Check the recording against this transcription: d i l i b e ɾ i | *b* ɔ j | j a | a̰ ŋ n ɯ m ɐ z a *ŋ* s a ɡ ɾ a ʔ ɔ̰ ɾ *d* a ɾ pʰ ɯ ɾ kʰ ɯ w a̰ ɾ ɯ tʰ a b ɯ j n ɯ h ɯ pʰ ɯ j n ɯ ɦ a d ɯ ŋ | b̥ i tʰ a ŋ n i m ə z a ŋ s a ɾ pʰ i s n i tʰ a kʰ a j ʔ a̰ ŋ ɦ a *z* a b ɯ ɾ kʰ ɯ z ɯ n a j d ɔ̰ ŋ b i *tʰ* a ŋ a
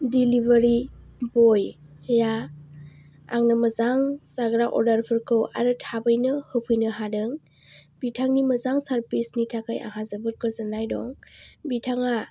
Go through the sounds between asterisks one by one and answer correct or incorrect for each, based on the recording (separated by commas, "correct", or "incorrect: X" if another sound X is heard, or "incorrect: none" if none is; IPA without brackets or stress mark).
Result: correct, correct, correct, correct, correct